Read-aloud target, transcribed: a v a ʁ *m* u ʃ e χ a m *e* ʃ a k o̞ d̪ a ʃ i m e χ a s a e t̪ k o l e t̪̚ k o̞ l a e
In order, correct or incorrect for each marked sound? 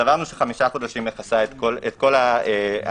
incorrect: n, incorrect: i

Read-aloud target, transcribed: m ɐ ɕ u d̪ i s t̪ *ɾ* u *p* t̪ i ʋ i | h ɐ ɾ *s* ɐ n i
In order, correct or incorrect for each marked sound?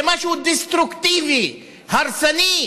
correct, incorrect: k, correct

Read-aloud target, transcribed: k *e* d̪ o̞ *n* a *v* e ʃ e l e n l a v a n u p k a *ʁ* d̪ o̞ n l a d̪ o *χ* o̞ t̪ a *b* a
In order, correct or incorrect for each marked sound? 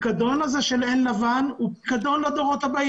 incorrect: a, correct, incorrect: z, incorrect: none, incorrect: ʁ, correct

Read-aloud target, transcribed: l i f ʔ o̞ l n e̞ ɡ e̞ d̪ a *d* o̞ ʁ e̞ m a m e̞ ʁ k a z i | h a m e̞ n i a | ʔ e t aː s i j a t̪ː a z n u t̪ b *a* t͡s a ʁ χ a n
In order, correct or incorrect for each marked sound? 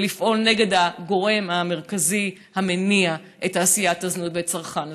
incorrect: ɡ, incorrect: e

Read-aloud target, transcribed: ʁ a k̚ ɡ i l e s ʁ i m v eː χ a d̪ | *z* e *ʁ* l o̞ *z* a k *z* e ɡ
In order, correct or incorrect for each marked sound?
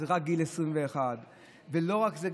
incorrect: v, incorrect: none, incorrect: ʁ, correct

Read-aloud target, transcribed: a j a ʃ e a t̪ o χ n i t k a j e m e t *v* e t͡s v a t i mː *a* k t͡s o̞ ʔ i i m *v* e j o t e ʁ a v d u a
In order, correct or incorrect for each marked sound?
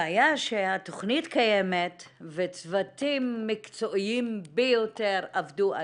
correct, incorrect: i, incorrect: b

